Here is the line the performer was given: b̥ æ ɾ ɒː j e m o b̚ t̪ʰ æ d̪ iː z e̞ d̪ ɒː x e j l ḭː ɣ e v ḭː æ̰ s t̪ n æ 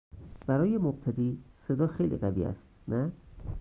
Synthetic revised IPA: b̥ æ ɾ ɒː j e m o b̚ t̪ʰ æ d̪ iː s e̞ d̪ ɒː x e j l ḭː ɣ æ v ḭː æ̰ s t̪ n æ